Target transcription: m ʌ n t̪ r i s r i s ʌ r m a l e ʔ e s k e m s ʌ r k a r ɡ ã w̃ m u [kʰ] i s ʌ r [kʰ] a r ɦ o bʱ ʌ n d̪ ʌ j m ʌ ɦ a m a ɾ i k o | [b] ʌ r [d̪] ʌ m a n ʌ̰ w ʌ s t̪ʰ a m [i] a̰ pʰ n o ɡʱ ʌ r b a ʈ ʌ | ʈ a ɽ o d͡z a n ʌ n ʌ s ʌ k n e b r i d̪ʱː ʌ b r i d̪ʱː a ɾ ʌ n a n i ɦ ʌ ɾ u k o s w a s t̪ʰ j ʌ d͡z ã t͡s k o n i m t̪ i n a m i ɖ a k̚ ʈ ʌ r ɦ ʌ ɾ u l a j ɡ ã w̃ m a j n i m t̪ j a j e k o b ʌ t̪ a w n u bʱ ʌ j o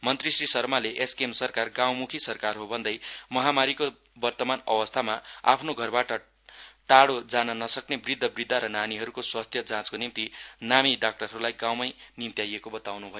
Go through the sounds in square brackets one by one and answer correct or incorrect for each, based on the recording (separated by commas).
correct, incorrect, correct, incorrect, incorrect